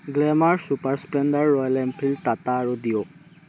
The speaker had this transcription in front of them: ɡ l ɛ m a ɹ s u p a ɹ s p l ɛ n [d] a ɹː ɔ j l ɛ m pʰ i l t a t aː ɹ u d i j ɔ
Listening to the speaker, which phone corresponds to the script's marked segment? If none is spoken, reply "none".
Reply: d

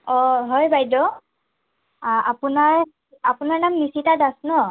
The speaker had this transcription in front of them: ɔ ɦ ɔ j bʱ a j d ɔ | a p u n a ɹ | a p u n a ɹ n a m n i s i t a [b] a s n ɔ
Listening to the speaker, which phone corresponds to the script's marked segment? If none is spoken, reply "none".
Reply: d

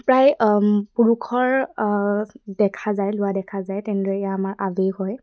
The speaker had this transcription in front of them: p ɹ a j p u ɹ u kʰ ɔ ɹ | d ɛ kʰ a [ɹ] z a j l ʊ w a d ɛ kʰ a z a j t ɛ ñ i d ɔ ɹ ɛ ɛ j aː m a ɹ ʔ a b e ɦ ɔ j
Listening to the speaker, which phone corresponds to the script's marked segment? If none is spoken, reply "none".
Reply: none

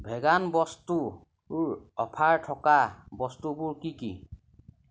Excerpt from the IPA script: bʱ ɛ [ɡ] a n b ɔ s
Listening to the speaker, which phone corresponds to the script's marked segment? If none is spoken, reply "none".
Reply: ɡ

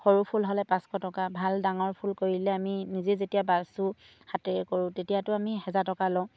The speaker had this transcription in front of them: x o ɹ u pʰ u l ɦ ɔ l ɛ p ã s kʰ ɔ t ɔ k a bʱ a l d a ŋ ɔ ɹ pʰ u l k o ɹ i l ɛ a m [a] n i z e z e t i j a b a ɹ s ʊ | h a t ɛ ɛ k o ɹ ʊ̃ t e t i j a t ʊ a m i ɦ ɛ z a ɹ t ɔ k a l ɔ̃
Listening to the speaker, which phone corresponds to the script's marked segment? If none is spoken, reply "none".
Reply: i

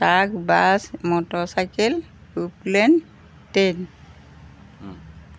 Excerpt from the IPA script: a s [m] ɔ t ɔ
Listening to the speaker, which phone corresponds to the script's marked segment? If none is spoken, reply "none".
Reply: m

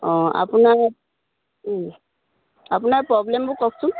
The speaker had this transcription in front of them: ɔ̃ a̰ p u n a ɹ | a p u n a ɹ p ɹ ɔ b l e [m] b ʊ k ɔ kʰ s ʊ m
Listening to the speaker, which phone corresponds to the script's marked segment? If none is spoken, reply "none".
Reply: m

